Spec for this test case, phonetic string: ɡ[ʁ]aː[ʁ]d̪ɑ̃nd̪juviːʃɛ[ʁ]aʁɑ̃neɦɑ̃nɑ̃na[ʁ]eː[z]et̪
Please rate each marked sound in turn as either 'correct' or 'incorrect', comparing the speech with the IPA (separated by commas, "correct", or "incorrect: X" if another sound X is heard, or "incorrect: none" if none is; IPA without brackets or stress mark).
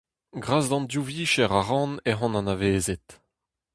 correct, incorrect: z, correct, incorrect: v, correct